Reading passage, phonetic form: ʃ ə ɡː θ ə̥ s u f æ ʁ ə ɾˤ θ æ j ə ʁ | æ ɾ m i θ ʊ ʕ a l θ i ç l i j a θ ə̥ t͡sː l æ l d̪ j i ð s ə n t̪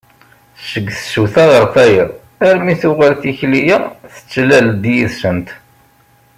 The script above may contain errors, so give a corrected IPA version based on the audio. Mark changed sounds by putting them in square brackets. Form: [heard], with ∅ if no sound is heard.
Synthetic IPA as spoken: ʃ ə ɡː θ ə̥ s u [θ] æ ʁ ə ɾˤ θ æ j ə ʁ | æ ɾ m i θ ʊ [ʁ] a l θ i ç l i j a θ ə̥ t͡sː l æ l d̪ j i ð s ə n t̪